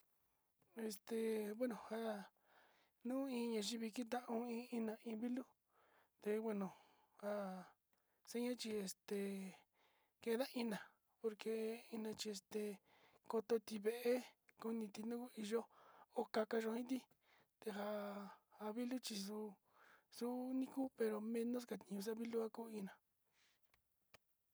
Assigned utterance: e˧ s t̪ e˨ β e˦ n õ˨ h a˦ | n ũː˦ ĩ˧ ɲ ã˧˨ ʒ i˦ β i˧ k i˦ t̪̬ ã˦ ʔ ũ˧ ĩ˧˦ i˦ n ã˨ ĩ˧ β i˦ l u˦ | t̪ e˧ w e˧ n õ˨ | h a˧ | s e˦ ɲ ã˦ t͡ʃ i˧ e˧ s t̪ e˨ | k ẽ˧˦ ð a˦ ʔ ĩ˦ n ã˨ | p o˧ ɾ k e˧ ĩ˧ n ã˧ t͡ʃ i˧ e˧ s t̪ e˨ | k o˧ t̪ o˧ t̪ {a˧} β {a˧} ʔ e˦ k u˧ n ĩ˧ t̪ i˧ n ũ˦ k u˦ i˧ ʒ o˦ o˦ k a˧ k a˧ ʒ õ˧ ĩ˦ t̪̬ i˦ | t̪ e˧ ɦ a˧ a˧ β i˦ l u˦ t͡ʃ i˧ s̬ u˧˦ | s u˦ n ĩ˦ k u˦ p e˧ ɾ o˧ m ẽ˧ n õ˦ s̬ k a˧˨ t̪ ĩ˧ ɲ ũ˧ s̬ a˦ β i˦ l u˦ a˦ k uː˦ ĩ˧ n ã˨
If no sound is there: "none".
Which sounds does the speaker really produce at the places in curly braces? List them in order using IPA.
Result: i˧, e˧

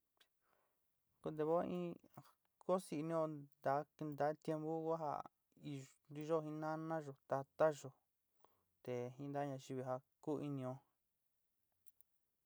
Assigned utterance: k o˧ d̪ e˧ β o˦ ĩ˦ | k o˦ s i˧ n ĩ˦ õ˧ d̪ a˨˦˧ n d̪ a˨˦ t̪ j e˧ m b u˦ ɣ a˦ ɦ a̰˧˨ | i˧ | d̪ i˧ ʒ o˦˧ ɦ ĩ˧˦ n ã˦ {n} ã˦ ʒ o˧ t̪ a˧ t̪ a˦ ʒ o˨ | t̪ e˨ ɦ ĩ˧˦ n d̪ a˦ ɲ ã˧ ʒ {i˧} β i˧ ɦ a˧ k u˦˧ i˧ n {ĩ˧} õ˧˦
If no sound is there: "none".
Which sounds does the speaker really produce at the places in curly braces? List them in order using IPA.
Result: n, i˧, ĩ˧

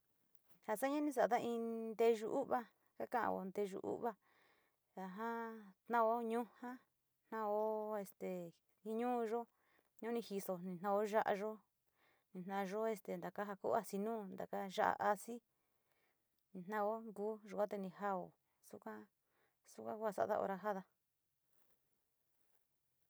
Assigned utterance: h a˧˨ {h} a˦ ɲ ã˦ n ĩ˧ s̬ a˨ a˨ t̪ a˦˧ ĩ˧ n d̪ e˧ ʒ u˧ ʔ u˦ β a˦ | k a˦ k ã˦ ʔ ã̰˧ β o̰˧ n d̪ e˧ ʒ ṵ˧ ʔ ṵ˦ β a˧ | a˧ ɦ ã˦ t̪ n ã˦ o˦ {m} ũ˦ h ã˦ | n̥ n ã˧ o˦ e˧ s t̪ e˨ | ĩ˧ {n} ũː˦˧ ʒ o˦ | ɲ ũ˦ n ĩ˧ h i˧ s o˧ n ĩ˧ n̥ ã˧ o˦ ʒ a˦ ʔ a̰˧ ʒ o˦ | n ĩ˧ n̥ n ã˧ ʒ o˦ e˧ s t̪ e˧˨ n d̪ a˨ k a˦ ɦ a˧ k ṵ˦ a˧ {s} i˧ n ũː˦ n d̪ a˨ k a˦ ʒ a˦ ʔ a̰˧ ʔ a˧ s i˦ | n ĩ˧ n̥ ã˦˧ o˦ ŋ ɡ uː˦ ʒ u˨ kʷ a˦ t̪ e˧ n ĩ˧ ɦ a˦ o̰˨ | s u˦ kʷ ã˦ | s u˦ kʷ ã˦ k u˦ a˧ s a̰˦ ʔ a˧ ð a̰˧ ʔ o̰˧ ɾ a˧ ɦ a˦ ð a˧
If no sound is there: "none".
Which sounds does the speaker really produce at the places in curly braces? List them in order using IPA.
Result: s, ɲ, ɲ, s

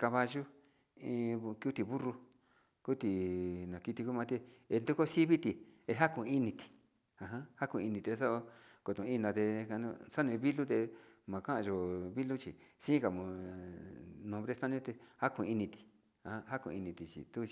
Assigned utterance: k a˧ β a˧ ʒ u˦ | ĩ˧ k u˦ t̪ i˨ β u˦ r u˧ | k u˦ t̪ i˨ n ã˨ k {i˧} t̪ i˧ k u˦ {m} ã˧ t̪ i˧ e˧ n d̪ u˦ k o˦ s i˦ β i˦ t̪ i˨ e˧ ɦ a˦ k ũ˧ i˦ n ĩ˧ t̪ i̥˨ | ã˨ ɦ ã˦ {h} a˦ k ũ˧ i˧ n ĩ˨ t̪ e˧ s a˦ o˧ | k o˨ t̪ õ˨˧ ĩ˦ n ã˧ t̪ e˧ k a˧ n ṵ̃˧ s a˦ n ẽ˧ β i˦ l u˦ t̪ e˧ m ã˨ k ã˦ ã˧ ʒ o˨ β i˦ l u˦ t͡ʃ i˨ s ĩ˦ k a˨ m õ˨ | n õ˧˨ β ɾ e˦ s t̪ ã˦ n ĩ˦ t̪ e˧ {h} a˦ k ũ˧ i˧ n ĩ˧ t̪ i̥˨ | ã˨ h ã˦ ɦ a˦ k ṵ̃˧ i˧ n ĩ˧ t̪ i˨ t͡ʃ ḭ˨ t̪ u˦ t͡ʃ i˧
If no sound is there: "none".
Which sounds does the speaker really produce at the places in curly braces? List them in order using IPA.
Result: i˧, m, h, h

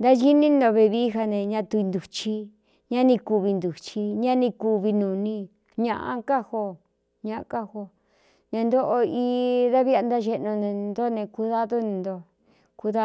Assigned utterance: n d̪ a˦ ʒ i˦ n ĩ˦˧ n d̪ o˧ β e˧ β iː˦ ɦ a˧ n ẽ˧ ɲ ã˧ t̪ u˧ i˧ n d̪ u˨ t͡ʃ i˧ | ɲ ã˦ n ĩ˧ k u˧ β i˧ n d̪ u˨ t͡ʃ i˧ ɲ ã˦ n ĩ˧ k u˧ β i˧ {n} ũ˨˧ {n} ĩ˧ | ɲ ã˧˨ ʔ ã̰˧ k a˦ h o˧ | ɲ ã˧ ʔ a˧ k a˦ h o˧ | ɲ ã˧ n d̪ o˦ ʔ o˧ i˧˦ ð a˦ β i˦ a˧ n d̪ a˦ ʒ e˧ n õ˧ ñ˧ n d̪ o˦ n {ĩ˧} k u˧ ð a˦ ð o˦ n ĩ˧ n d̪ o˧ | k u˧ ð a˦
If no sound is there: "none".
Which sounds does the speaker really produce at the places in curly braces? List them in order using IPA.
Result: n, n, ẽ˧

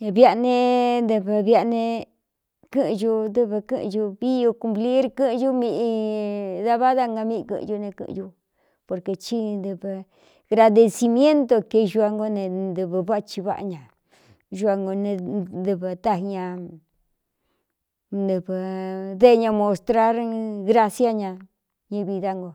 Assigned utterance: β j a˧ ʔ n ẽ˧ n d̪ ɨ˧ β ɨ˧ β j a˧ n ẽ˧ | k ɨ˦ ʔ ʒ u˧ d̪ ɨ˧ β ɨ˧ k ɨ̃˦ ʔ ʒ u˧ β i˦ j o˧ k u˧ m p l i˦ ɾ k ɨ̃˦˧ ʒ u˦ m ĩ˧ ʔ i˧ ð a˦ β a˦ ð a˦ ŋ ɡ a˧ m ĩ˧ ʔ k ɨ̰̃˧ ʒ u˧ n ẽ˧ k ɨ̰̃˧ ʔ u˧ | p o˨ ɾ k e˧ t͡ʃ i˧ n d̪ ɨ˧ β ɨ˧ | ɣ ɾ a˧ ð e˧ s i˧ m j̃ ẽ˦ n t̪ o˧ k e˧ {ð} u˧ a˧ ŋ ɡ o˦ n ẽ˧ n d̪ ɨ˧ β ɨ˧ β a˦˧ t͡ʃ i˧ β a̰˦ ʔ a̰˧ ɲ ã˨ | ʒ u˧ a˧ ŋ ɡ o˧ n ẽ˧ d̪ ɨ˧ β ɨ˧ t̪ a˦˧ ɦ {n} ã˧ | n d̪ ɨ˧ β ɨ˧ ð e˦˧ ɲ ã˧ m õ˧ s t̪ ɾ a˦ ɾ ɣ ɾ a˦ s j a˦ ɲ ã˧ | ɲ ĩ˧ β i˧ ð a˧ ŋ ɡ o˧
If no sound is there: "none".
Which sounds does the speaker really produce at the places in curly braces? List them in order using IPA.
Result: ʒ, ɲ

